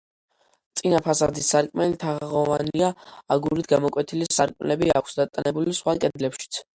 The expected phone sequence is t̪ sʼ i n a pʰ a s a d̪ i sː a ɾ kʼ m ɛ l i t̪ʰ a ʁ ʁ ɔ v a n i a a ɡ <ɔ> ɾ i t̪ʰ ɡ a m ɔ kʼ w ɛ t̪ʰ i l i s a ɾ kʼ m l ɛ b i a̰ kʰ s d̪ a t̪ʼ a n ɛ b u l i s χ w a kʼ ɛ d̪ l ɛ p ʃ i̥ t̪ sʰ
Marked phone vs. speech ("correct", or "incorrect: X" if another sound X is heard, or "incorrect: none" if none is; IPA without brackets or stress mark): incorrect: u